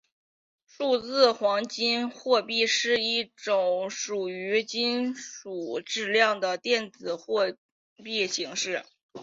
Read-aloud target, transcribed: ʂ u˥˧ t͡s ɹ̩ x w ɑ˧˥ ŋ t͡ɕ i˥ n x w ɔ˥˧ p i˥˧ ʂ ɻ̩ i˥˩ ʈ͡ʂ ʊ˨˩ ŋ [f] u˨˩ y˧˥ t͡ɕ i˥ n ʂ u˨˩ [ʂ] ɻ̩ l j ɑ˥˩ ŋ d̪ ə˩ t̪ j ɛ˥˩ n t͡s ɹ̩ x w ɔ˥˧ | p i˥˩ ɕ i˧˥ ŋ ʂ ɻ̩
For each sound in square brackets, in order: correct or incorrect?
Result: incorrect, incorrect

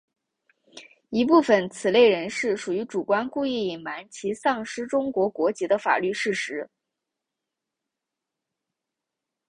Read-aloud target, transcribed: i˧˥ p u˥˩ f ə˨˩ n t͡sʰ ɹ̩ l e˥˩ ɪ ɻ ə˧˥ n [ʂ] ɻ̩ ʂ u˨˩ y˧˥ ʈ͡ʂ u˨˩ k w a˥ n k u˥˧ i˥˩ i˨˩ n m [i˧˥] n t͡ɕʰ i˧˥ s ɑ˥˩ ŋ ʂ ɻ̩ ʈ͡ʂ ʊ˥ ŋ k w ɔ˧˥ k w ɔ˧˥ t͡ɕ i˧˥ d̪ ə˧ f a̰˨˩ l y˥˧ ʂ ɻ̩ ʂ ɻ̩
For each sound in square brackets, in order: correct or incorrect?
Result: correct, incorrect

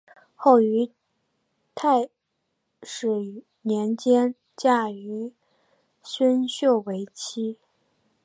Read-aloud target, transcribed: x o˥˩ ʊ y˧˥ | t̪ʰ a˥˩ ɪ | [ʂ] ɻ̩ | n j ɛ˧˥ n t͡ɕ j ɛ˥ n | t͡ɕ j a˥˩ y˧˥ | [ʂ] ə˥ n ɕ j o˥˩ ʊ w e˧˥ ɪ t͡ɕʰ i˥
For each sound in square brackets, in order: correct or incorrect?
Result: correct, incorrect

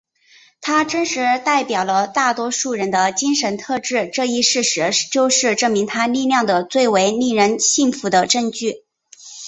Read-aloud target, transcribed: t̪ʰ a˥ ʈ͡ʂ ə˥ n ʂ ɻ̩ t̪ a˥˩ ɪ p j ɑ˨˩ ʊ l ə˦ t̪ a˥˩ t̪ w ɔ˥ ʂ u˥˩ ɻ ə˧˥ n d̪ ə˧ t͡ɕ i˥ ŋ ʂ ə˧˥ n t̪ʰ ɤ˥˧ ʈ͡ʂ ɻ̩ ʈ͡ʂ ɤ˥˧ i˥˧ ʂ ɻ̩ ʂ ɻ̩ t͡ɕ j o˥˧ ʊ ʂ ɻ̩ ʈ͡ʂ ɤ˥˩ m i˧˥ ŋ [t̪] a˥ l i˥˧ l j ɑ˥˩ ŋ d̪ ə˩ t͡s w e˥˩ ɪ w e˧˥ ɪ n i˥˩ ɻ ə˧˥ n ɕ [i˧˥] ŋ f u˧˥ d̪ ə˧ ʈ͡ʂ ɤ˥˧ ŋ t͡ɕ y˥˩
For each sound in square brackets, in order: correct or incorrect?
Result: incorrect, incorrect

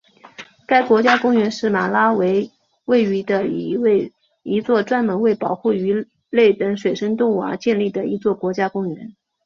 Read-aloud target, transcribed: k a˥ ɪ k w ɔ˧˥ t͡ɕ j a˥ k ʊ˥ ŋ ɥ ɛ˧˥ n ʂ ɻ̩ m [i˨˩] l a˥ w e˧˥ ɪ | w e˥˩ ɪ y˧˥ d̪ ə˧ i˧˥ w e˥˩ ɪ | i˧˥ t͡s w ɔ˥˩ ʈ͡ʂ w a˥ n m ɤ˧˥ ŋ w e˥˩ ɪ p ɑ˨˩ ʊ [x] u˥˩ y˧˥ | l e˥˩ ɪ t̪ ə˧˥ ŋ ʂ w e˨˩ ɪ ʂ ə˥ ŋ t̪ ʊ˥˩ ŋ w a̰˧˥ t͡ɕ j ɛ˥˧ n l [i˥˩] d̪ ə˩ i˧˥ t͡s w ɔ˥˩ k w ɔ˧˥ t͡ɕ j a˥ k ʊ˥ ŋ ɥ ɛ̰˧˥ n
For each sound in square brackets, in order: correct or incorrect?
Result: incorrect, correct, correct

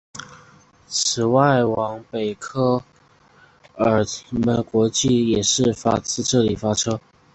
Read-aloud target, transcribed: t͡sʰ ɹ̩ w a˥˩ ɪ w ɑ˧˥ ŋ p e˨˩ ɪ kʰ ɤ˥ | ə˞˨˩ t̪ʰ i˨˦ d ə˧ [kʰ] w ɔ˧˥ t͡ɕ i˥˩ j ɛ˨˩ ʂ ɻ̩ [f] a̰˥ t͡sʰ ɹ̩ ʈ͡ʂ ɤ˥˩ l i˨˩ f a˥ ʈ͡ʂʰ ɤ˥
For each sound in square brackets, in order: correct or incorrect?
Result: incorrect, correct

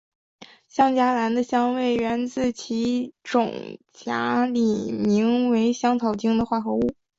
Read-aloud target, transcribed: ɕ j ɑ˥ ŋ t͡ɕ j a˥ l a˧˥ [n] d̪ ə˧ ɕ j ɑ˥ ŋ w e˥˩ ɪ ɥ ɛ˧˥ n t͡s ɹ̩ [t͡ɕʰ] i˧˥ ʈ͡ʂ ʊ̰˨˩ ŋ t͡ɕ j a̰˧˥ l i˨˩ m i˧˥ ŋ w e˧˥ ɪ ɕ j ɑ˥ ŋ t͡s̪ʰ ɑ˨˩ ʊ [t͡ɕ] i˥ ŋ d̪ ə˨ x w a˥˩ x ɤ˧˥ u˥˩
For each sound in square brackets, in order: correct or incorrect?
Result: correct, correct, correct

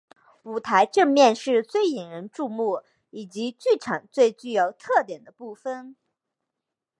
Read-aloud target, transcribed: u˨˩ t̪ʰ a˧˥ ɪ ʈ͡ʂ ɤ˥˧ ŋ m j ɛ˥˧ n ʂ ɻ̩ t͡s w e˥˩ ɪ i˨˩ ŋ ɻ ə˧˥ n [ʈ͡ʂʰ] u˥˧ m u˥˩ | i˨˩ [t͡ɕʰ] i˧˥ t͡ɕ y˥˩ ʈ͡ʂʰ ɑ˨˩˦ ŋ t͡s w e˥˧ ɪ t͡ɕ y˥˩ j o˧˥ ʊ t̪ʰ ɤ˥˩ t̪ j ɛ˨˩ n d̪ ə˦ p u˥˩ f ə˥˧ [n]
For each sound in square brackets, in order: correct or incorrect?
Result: incorrect, incorrect, correct

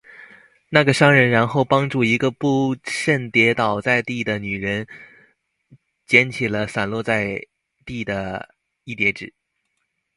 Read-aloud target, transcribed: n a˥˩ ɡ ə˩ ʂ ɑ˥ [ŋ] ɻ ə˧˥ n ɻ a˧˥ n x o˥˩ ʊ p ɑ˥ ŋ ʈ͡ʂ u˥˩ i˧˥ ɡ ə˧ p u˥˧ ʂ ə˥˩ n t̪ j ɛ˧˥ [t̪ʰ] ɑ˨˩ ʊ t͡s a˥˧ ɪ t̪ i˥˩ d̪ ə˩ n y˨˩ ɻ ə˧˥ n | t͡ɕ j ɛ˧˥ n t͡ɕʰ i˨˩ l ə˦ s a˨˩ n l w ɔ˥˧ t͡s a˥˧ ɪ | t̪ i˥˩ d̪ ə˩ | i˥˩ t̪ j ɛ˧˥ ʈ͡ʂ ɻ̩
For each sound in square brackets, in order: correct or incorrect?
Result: correct, incorrect

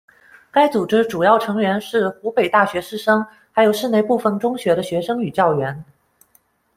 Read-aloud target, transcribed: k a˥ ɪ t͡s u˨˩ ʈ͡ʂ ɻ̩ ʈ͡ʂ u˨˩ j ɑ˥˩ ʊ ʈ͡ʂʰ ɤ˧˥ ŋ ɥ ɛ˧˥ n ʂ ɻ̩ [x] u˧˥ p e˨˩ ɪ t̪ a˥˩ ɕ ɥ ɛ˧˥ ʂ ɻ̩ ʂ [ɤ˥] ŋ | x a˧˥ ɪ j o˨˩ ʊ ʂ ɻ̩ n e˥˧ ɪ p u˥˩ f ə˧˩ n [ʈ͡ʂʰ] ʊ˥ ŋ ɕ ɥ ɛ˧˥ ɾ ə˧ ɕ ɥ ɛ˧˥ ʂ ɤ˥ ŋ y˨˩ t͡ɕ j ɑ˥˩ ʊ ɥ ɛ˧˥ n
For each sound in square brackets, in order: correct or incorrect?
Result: correct, correct, incorrect

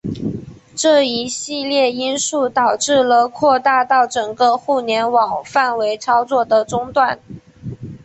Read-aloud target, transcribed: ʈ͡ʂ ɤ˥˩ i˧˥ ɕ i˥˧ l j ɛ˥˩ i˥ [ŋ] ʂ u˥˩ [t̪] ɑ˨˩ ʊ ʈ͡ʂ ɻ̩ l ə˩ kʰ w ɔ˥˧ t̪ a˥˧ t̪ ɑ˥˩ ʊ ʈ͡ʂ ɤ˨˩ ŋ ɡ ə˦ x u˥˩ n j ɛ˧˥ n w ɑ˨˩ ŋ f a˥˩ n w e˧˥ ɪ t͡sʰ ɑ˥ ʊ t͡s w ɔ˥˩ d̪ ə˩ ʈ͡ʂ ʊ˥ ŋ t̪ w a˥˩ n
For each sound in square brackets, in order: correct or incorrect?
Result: incorrect, correct

